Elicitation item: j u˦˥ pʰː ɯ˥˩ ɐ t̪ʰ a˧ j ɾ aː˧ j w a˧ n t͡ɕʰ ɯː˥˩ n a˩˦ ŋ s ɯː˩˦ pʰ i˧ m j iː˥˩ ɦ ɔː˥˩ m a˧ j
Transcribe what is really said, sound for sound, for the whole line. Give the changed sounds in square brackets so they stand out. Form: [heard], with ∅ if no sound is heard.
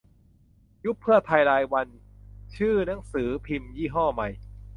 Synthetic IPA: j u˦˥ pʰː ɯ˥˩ ɐ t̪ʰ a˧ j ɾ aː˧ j w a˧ n t͡ɕʰ ɯː˥˩ n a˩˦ ŋ s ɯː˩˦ pʰ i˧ m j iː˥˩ ɦ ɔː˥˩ m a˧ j